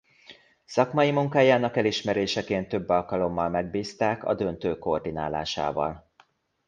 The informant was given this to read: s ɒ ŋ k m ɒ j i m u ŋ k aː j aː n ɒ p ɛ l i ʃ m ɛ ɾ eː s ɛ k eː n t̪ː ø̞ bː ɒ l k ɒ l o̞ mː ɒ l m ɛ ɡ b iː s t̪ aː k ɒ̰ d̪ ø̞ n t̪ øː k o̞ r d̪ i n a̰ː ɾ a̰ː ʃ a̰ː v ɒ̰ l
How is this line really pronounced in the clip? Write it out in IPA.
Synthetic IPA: s ɒ k m ɒ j i m u ŋ k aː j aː n ɒ k ɛ l i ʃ m ɛ ɾ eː ʃ ɛ k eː n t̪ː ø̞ bː ɒ l k ɒ l o̞ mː ɒ l m ɛ ɡ b iː s t̪ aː k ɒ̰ d̪ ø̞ n t̪ øː k o̞ r d̪ i n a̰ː l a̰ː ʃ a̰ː v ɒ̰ l